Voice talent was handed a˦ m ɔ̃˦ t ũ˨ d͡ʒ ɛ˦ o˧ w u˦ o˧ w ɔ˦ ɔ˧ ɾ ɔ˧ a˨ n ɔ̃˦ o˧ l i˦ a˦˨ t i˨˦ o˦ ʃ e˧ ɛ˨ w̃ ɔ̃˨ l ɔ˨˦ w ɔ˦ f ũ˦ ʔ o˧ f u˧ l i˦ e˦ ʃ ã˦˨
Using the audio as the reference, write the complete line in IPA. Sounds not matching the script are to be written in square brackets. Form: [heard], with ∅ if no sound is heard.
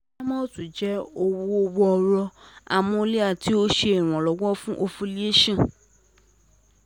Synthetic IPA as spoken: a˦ m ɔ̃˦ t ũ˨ d͡ʒ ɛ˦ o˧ w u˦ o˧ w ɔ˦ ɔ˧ ɾ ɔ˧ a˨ [m] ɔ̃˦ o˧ l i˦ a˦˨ t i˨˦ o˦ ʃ e˧ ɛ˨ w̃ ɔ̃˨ l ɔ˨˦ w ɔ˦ f ũ˦ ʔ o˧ f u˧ l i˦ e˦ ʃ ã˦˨